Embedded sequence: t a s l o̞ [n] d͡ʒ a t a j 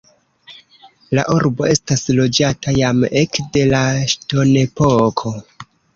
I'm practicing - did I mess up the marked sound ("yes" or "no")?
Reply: yes